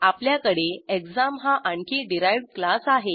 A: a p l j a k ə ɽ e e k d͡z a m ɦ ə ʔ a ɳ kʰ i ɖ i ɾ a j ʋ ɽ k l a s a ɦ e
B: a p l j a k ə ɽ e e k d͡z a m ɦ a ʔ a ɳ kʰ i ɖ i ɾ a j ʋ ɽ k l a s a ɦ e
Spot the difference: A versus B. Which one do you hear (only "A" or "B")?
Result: B